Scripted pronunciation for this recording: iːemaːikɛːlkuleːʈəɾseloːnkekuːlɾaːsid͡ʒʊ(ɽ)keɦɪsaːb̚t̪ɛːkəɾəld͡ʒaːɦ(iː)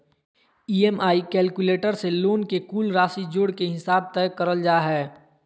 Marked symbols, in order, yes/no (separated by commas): yes, no